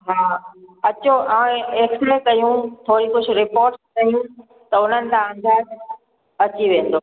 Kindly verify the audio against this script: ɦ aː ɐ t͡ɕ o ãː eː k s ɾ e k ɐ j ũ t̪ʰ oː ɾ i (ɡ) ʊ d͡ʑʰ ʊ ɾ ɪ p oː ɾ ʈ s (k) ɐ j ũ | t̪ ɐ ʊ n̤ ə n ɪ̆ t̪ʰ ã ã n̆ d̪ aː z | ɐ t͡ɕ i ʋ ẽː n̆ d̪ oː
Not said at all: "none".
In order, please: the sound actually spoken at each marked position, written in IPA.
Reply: k, k

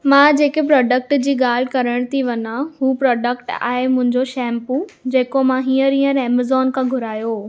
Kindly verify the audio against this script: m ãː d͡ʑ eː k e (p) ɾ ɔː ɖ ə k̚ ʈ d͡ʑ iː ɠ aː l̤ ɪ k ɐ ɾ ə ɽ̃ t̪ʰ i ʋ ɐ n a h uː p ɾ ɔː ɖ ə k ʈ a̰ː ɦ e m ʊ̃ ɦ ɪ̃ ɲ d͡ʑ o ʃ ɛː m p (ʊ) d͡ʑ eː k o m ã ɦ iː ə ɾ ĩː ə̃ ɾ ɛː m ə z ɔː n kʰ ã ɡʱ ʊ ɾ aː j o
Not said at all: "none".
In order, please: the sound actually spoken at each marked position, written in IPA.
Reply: p, u

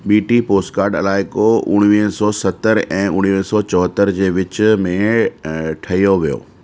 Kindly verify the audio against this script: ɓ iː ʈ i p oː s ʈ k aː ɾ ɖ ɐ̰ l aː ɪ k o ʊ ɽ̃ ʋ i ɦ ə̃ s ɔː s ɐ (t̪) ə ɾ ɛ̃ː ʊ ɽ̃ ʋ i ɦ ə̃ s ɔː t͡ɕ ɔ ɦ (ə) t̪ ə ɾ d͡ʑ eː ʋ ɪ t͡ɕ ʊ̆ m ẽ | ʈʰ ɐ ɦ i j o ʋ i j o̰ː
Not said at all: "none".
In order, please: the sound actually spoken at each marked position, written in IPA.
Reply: t̪, ə

